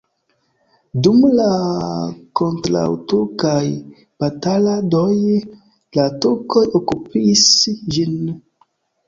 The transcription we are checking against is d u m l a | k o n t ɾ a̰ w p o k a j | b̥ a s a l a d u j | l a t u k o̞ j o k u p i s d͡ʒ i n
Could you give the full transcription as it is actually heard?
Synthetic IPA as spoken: d u m l a | k o n t ɾ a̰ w t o k a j | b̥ a t a l a d o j | l a t u k o̞ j o k u p i s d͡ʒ i n